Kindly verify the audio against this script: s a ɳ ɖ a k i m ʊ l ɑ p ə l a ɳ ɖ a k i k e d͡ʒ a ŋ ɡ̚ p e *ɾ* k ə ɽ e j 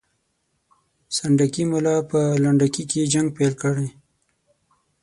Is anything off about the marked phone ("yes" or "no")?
yes